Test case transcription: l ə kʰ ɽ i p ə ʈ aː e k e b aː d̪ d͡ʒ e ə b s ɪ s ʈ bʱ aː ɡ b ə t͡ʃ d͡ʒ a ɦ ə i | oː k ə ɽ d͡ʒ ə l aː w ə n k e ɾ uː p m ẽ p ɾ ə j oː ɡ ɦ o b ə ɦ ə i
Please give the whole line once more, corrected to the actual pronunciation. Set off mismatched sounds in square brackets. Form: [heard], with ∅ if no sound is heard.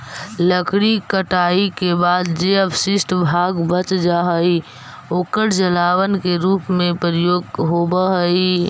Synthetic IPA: l ə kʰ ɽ i [k] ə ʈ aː [i] k e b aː d̪ d͡ʒ e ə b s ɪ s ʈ bʱ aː ɡ b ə t͡ʃ d͡ʒ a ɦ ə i | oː k ə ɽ d͡ʒ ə l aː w ə n k e ɾ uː p m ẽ p ɾ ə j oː ɡ ɦ o b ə ɦ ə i